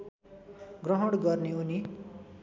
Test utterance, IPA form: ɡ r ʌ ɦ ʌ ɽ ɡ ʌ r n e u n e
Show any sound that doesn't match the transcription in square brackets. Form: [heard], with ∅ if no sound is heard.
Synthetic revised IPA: ɡ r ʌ ɦ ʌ ɽ ɡ ʌ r n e u n [i]